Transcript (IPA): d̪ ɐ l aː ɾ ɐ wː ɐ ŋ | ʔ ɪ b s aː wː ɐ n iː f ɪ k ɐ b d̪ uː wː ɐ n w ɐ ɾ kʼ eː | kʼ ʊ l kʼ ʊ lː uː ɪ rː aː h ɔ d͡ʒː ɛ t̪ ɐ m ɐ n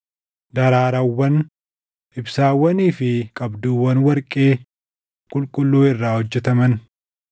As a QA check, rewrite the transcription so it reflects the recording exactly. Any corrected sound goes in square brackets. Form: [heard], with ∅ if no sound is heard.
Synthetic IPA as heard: d̪ ɐ [ɾ] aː ɾ ɐ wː ɐ [n] | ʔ ɪ b s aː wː ɐ n iː f ɪ [kʼ] ɐ b d̪ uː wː ɐ n w ɐ ɾ kʼ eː | kʼ ʊ l kʼ ʊ lː uː ɪ rː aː h ɔ d͡ʒː ɛ t̪ ɐ m ɐ n